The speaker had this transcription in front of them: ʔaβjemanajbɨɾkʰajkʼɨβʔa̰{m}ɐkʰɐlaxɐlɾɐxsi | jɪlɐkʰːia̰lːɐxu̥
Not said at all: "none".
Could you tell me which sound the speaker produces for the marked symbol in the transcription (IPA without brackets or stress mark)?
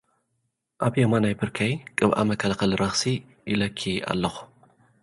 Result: m